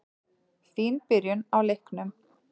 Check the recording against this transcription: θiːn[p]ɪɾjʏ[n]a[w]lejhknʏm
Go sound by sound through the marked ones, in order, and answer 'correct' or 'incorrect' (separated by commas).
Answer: correct, correct, correct